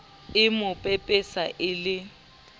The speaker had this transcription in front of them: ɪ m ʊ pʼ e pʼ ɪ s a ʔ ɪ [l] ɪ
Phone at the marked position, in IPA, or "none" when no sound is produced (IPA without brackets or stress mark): l